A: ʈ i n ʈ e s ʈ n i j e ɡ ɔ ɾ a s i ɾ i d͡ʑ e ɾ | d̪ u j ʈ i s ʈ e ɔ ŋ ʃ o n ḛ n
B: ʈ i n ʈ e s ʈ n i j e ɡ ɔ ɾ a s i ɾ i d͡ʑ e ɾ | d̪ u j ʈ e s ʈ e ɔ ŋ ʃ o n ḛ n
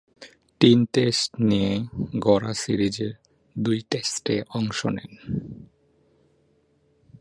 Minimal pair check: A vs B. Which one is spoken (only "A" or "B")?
B